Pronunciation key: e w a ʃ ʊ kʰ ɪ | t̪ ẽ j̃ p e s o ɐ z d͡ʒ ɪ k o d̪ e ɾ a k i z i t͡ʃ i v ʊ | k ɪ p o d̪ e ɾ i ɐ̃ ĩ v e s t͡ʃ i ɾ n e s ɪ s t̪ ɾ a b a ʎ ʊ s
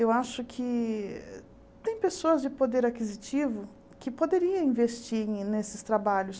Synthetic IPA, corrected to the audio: e w a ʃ ʊ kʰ ɪ | t̪ ẽ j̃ p e s o ɐ z d͡ʒ ɪ p o d̪ e ɾ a k i z i t͡ʃ i v ʊ | k ɪ p o d̪ e ɾ i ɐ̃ ĩ v e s t͡ʃ i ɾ n e s ɪ s t̪ ɾ a b a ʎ ʊ s